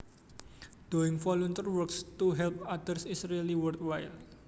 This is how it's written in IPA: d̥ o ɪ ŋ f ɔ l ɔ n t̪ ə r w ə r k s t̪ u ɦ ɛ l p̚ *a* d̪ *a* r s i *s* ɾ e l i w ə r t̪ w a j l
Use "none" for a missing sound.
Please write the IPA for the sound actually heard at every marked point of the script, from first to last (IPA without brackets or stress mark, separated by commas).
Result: a, ə, s